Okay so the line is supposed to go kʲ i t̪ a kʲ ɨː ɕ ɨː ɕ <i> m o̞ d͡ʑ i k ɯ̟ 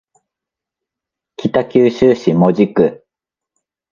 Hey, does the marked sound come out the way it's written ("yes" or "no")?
yes